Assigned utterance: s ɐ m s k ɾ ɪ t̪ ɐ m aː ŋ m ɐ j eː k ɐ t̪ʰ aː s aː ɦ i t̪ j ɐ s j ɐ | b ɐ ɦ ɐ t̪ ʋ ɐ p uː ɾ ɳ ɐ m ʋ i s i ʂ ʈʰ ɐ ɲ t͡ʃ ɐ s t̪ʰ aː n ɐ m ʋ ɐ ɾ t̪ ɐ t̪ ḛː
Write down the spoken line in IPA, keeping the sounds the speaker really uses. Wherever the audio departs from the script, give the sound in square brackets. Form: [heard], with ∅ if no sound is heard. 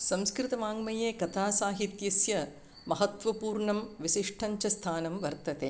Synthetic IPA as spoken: s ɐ m s k ɾ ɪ t̪ ɐ m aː ŋ m ɐ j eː k ɐ t̪ʰ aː s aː ɦ i t̪ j ɐ s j ɐ | [m] ɐ ɦ ɐ t̪ ʋ ɐ p uː ɾ ɳ ɐ m ʋ i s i ʂ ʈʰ ɐ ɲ t͡ʃ ɐ s t̪ʰ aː n ɐ m ʋ ɐ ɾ t̪ ɐ t̪ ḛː